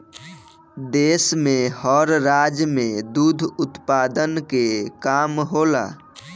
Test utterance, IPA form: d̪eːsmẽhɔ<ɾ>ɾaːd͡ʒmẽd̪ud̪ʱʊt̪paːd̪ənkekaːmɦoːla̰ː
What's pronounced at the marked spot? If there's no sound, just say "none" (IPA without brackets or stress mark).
ɾ